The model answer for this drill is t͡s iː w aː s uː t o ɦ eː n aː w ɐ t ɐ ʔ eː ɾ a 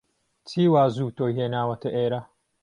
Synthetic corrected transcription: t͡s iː w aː z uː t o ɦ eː n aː w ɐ t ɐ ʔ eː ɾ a